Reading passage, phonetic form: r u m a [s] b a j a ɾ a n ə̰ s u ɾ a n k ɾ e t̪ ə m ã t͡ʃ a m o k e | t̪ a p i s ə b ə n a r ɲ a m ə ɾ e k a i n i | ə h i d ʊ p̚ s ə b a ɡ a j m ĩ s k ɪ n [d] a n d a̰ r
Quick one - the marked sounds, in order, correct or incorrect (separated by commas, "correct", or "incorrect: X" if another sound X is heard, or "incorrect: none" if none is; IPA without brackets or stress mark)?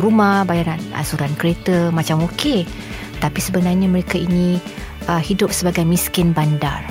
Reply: incorrect: h, incorrect: b